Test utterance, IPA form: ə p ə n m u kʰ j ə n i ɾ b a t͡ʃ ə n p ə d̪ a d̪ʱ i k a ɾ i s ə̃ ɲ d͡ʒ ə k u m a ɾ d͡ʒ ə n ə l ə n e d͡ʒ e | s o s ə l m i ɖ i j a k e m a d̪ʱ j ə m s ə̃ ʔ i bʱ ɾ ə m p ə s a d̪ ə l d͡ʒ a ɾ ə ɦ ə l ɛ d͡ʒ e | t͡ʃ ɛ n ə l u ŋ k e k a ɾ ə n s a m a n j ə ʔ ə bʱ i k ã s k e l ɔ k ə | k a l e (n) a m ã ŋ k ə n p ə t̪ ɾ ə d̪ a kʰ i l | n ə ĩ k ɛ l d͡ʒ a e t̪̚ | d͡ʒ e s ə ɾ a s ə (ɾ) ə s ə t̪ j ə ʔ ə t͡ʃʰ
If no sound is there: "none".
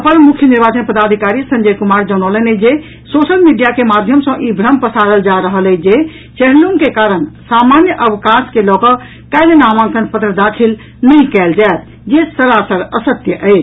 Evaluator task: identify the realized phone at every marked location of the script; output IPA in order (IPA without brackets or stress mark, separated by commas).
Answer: n, ɾ